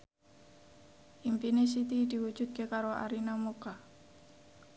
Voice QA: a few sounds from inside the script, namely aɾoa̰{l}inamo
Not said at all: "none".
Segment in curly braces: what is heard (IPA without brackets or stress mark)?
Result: ɾ